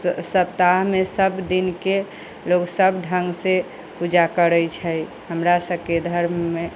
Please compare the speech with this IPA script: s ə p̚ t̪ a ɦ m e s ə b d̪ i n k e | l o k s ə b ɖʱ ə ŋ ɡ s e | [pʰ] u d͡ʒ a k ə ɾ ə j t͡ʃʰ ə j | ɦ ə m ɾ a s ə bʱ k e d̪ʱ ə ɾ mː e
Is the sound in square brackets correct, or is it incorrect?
incorrect